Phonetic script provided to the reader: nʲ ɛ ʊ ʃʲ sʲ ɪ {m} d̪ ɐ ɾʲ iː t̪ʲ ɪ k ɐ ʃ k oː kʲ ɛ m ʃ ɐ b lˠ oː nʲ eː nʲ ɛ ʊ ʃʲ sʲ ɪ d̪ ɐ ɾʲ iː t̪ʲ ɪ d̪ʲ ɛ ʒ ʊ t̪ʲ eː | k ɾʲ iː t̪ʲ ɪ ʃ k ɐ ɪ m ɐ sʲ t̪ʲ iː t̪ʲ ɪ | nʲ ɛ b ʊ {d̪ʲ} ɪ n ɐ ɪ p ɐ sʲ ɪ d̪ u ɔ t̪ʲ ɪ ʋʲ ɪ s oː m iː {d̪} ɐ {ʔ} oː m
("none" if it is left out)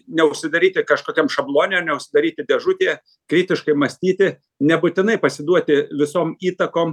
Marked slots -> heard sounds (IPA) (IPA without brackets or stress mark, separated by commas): none, t̪ʲ, t̪, k